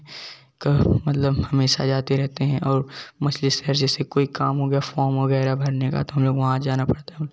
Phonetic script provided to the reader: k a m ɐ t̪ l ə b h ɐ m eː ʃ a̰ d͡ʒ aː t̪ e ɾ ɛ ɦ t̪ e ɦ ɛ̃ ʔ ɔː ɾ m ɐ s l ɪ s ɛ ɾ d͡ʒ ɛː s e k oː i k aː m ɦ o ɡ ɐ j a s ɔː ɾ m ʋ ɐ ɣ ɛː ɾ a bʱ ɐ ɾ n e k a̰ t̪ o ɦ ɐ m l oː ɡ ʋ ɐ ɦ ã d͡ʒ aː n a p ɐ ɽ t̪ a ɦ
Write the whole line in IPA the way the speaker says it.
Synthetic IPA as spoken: k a m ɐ t̪ l ə b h ɐ m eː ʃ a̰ d͡ʒ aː t̪ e ɾ ɛ ɦ t̪ e ɦ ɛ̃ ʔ ɔː ɾ m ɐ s l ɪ s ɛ ɾ d͡ʒ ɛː s e k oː i k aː m ɦ o ɡ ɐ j a f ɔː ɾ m ʋ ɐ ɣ ɛː ɾ a bʱ ɐ ɾ n e k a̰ t̪ o ɦ ɐ m l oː ɡ ʋ ɐ ɦ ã d͡ʒ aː n a p ɐ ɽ t̪ a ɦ